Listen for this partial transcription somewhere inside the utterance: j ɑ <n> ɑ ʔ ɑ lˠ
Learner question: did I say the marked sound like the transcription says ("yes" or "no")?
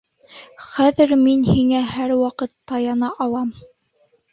yes